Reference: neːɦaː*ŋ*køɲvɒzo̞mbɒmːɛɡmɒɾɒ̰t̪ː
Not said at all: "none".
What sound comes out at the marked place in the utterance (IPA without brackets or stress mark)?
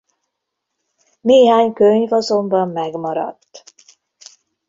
ɲ